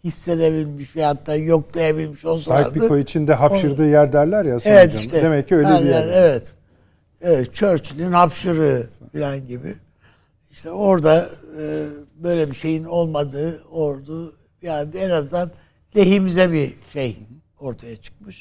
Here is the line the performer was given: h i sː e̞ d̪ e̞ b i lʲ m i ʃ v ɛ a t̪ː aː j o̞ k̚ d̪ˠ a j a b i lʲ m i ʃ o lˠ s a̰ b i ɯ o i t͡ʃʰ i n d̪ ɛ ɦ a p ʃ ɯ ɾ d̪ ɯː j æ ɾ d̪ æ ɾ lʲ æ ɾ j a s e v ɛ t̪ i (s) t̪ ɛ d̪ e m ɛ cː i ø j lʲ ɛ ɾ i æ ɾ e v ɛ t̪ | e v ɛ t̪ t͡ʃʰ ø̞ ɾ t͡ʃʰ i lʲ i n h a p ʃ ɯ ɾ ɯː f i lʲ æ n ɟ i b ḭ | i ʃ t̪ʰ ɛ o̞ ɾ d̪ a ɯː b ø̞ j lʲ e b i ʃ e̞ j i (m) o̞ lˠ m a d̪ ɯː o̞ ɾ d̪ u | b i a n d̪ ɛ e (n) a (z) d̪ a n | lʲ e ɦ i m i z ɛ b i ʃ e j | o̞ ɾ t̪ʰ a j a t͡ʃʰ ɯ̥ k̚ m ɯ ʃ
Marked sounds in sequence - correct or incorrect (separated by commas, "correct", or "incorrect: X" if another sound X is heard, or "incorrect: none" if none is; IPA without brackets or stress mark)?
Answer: incorrect: ʃ, incorrect: n, correct, correct